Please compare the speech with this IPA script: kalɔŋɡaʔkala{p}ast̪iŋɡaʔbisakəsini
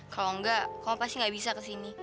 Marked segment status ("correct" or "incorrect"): correct